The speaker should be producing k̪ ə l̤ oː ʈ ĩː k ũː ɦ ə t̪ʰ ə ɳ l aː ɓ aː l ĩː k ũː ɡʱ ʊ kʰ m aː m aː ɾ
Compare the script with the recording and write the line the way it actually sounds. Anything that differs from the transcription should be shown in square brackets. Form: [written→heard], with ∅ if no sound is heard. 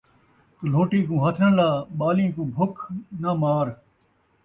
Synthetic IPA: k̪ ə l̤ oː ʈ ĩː k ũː ɦ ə t̪ʰ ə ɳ l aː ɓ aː l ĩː k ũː [ɡʱ→bʱ] ʊ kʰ [m→n] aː m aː ɾ